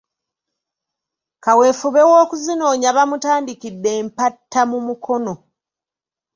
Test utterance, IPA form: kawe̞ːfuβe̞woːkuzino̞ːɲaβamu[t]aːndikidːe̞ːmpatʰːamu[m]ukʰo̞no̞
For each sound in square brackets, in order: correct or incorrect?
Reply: correct, correct

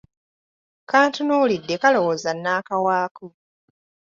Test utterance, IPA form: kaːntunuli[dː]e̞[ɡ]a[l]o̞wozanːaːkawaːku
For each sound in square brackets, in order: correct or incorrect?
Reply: correct, incorrect: k, correct

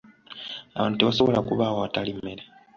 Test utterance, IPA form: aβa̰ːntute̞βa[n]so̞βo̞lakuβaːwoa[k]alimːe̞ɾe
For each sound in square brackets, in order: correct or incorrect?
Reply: incorrect: none, incorrect: t

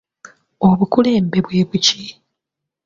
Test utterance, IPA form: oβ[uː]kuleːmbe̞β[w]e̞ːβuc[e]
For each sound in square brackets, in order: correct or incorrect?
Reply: incorrect: u, correct, incorrect: i

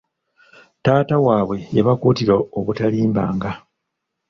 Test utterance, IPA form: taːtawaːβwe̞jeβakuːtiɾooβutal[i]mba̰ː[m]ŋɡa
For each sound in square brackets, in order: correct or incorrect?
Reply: incorrect: iː, incorrect: none

